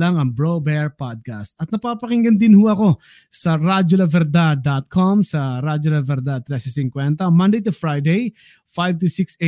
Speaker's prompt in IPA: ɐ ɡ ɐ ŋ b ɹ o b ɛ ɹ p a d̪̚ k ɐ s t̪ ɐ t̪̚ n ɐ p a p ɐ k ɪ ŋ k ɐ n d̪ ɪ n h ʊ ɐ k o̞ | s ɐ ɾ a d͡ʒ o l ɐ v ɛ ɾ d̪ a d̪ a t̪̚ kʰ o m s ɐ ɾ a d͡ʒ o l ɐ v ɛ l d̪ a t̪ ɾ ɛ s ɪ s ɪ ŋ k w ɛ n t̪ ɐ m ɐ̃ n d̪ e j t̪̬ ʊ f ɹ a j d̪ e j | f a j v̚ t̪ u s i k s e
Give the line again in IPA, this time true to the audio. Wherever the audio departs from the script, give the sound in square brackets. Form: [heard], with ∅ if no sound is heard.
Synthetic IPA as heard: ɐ [ŋ] ɐ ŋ b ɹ o b ɛ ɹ p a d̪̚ k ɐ s t̪ ɐ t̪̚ n ɐ p a p ɐ k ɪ ŋ [ɡ] ɐ n d̪ ɪ n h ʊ ɐ k o̞ | s ɐ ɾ a d͡ʒ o l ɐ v ɛ ɾ d̪ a d̪ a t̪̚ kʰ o m s ɐ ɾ a d͡ʒ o l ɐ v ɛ [ɾ] d̪ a t̪ ɾ ɛ s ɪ s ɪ ŋ k w ɛ n t̪ ɐ m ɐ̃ n d̪ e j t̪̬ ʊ f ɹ a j d̪ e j | f a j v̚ t̪ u s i k s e